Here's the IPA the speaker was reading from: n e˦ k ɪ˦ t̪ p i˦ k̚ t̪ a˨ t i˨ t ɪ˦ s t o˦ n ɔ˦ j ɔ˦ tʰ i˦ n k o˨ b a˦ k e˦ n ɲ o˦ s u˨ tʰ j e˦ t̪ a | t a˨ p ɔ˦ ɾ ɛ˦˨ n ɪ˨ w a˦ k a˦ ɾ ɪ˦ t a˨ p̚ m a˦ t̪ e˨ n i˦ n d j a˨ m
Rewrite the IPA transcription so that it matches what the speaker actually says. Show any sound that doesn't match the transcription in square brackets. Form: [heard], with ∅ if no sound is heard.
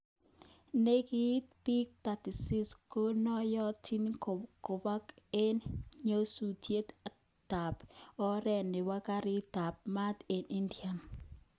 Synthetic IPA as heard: n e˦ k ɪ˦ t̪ p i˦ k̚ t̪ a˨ t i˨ [s] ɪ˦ s [k] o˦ n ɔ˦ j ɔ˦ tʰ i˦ n k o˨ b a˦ k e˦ n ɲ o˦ s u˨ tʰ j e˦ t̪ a | t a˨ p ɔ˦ ɾ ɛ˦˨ n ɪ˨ w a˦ k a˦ ɾ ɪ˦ t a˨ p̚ m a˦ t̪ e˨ n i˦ n d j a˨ [n]